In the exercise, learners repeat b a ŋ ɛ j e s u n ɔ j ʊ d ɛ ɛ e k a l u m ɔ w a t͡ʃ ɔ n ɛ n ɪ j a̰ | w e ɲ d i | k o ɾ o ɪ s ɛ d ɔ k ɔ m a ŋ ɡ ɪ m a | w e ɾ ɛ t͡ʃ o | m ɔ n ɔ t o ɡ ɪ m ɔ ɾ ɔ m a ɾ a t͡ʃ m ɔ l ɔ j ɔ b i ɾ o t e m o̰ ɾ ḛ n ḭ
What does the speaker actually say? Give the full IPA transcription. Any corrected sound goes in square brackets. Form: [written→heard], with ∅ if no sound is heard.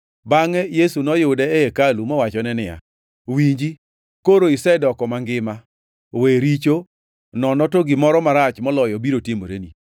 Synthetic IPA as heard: b a ŋ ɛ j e s u n ɔ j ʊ d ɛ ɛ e k a l u m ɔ w a t͡ʃ ɔ n ɛ n ɪ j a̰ | w [e→i] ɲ [d→d͡ʒ] i | k o ɾ o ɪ s ɛ d ɔ k ɔ m a ŋ ɡ ɪ m a | w e ɾ [ɛ→i] t͡ʃ o | [m→n] ɔ n ɔ t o ɡ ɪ m ɔ ɾ ɔ m a ɾ a t͡ʃ m ɔ l ɔ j ɔ b i ɾ o t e m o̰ ɾ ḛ n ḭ